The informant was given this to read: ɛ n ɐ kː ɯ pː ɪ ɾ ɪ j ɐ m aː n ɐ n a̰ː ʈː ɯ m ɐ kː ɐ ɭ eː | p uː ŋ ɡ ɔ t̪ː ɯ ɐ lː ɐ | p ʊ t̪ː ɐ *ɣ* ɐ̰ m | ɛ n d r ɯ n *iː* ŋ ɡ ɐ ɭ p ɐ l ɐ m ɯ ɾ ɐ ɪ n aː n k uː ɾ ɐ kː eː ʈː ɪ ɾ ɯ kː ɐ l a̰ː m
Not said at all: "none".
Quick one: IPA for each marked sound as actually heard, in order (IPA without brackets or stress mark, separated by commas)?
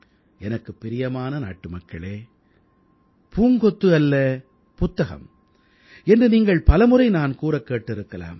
ɣ, iː